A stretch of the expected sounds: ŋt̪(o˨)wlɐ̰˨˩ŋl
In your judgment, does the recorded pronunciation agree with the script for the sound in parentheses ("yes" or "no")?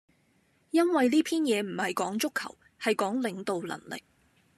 yes